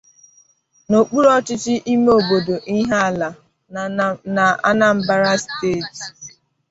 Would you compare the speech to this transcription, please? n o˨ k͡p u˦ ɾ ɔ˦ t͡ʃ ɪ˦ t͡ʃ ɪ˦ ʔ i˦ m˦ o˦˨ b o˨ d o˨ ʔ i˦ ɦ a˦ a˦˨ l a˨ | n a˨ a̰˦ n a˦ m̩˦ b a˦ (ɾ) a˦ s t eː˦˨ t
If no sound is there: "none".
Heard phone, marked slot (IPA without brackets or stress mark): ɾ